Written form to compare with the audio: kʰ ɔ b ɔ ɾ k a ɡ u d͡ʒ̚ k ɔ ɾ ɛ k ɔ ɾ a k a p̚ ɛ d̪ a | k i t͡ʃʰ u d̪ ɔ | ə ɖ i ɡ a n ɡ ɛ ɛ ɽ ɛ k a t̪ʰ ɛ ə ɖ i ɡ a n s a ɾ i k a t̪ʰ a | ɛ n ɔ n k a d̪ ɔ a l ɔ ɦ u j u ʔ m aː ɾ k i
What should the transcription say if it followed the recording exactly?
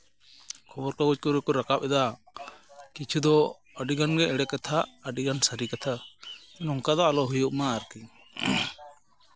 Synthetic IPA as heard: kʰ ɔ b ɔ ɾ k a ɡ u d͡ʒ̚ k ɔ ɾ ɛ k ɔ ɾ a k a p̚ ɛ d̪ a | k i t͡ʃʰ u d̪ ɔ | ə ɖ i ɡ a n ɡ ɛ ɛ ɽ ɛ k a t̪ʰ a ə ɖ i ɡ a n s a ɾ i k a t̪ʰ a | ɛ n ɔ ŋ k a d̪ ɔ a l ɔ ɦ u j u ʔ m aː ɾ k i

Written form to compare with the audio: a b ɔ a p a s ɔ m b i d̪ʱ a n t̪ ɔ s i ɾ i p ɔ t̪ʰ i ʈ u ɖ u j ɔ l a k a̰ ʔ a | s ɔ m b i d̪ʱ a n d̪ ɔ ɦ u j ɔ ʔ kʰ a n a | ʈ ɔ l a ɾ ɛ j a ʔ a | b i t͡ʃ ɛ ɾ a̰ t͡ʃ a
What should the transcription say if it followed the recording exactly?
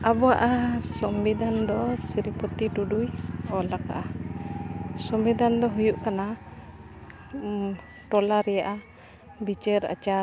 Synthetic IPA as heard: a b ɔ a ʔ a s ɔ m b i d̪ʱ a n d̪ ɔ s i ɾ i p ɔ t̪ i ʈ u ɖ u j ɔ l a k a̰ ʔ a | s ɔ m b i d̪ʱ a n d̪ ɔ ɦ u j u ʔ k a n a | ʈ ɔ l a ɾ ɛ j a ʔ a | b i t͡ʃ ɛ ɾ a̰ t͡ʃ a

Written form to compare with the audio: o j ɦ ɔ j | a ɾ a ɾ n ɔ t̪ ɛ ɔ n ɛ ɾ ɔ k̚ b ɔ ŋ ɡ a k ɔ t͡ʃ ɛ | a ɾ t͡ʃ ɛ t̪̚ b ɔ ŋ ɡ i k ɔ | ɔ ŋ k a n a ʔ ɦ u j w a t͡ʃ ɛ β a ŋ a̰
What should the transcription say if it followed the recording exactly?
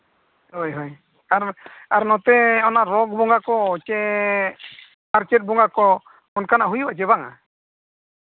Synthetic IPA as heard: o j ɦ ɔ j | a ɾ a ɾ n ɔ t̪ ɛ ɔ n a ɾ ɔ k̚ b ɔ ŋ ɡ a k ɔ t͡ʃ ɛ | a ɾ t͡ʃ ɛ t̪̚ b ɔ ŋ ɡ a k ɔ | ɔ n k a n a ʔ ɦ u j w a t͡ʃ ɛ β a ŋ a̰

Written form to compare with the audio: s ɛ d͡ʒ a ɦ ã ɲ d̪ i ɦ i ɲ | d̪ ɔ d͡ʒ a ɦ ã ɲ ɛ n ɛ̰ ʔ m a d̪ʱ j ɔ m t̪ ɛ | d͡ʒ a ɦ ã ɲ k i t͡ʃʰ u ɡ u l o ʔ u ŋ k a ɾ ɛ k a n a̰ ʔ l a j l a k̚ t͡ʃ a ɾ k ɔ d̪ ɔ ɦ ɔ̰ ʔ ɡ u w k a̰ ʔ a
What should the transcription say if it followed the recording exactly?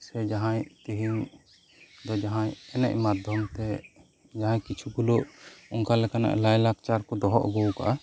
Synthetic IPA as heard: s ɛ d͡ʒ a ɦ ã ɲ t̪ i ɦ i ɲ | d̪ ɔ d͡ʒ a ɦ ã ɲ ɛ n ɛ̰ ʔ m a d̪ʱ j ɔ m t̪ ɛ | d͡ʒ a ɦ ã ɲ k i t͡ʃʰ u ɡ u l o ʔ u ŋ k a l ɛ k a n a̰ ʔ l a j l a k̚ t͡ʃ a ɾ k ɔ d̪ ɔ ɦ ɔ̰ ʔ ɡ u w k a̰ ʔ a

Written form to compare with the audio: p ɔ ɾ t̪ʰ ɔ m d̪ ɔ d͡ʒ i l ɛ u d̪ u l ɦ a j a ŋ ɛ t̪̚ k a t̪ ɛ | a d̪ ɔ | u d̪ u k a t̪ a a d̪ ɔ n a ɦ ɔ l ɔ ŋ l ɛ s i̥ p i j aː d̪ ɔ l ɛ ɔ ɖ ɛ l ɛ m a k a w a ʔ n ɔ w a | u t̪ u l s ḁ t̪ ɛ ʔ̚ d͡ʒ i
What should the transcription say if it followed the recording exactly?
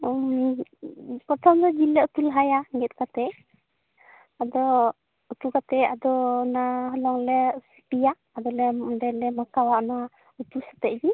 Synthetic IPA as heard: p ɔ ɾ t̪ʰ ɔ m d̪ ɔ d͡ʒ i l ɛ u t̪ u l ɦ a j a ŋ ɛ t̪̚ k a t̪ ɛ | a d̪ ɔ | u t̪ u k a t̪ ɛ a d̪ ɔ n a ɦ ɔ l ɔ ŋ l ɛ s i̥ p i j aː d̪ ɔ l ɛ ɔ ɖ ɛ l ɛ m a k a w a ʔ n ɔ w a | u t̪ u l s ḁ t̪ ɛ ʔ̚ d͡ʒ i

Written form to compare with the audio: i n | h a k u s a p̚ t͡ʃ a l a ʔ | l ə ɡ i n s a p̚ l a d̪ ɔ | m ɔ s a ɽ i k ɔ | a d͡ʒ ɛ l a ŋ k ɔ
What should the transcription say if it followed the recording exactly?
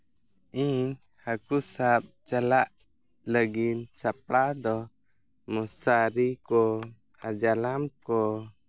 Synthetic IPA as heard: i n | h a k u s a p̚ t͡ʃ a l a ʔ | l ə ɡ i n s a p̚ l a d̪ ɔ | m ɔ s a ɾ i k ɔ | a d͡ʒ a l a m k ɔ

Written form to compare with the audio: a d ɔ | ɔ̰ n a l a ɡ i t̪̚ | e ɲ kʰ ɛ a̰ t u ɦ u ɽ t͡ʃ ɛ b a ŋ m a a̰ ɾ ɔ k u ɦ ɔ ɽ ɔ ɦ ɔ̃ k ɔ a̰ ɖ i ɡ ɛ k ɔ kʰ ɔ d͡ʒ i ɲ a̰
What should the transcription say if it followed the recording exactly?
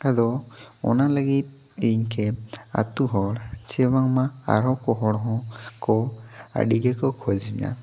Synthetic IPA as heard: a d ɔ | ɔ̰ n a l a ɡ i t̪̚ | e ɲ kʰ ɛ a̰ t u ɦ ɔ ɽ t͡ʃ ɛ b a ŋ m a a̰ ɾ ɔ k ɔ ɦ ɔ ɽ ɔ ɦ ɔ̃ k ɔ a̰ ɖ i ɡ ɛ k ɔ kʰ ɔ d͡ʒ i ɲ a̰

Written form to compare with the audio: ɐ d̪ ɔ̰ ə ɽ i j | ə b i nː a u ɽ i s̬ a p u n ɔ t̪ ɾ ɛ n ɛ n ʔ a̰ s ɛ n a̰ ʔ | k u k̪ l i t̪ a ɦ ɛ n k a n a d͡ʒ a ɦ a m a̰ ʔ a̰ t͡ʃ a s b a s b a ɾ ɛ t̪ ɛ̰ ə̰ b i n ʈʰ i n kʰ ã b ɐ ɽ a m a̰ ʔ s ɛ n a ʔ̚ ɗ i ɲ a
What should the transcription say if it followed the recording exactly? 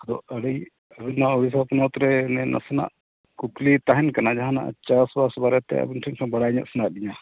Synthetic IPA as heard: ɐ d̪ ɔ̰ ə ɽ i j | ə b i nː a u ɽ i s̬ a p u n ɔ t̪ ɾ ɛ n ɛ n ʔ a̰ s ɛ n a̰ ʔ | k u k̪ l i t̪ a ɦ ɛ n k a n a d͡ʒ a ɦ a n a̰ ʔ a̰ t͡ʃ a s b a s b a ɾ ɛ t̪ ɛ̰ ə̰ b i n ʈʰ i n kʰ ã b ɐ ɽ a ɲ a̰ ʔ s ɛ n a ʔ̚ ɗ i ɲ a

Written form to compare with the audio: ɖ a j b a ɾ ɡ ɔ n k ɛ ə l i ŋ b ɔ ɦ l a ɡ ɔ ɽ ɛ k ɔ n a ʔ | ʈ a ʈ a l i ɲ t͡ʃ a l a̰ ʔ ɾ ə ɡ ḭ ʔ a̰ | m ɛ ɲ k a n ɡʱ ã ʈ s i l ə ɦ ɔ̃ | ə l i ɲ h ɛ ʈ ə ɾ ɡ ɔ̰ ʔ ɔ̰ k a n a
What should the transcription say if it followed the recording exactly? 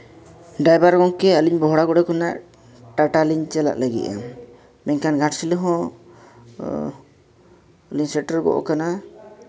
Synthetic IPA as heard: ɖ a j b a ɾ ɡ ɔ ŋ k ɛ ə l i ɲ b ɔ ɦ ɽ a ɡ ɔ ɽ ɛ k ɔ n a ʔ | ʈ a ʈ a l i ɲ t͡ʃ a l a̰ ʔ l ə ɡ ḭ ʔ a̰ | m ɛ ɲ k a n ɡʱ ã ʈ s i l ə ɦ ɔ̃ | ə l i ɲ s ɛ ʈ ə ɾ ɡ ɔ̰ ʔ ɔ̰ k a n a

